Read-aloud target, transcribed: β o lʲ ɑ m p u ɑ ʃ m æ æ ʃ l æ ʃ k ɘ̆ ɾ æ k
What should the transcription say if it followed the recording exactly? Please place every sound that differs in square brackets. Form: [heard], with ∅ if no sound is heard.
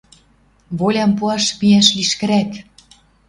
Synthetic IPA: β o lʲ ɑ m p u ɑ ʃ m [i] æ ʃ l [i] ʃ k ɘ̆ ɾ æ k